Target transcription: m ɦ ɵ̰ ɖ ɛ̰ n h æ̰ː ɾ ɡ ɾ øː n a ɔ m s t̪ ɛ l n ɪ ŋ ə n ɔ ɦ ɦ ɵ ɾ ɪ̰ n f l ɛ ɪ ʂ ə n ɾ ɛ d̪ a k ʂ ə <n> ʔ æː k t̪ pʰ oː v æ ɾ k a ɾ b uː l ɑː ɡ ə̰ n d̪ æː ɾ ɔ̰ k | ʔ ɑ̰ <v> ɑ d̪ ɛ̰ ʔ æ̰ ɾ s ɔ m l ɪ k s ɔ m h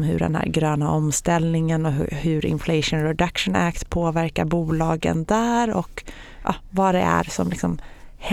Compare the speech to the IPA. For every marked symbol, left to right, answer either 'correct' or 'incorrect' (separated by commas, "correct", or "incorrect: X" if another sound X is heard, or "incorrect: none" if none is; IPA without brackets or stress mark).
correct, correct